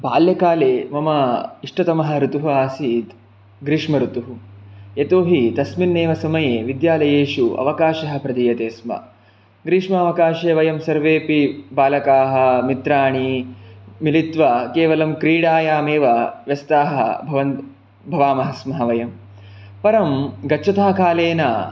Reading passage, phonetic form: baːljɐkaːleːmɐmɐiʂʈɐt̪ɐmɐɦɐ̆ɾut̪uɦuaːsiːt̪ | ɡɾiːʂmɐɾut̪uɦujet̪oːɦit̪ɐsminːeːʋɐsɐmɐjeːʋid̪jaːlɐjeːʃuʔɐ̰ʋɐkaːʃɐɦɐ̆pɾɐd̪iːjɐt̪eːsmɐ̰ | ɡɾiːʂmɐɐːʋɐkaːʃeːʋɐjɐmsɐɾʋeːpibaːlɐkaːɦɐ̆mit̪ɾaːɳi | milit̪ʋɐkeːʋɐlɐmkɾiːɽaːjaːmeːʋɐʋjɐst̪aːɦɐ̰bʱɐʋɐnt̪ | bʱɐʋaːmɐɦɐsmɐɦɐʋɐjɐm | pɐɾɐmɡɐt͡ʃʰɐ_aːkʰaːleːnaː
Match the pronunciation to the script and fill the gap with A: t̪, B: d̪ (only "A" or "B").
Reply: A